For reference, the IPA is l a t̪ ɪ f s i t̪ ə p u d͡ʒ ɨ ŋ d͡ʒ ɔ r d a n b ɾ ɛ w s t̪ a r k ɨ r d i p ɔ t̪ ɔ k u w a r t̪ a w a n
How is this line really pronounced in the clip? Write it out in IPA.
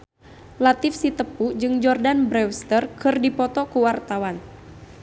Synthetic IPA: l a t̪ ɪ f s i t̪ ə p u d͡ʒ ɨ ŋ d͡ʒ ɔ r d a n b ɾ ɛ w s t̪ ə r k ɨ r d i p ɔ t̪ ɔ k u w a r t̪ a w a n